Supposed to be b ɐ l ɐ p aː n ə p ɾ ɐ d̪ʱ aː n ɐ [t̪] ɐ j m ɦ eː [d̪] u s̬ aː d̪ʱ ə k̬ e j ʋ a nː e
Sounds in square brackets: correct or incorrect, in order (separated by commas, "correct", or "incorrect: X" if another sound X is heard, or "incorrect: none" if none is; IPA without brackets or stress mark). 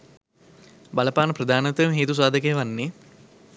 correct, incorrect: t̪